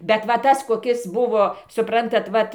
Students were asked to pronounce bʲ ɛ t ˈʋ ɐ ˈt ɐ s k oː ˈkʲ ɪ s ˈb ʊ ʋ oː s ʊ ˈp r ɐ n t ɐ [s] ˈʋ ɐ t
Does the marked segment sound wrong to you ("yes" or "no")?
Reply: yes